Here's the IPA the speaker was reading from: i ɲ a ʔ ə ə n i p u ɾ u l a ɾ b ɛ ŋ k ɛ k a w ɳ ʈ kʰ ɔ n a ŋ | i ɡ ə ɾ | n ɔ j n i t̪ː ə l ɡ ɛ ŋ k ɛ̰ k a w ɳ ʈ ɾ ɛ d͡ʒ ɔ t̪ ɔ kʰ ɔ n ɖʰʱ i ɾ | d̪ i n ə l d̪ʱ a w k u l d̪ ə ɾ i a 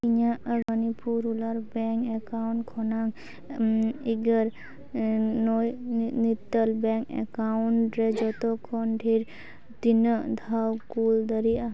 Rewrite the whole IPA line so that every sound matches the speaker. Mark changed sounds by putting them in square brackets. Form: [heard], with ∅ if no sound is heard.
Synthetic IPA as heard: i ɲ a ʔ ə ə n i p u ɾ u l a ɾ b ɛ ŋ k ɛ k a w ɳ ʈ kʰ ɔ n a ŋ | i ɡ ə ɾ | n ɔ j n i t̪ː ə l [b] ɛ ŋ k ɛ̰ k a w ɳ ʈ ɾ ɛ d͡ʒ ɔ t̪ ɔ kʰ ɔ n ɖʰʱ i ɾ | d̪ i n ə [∅] d̪ʱ a w k u l d̪ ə ɾ i a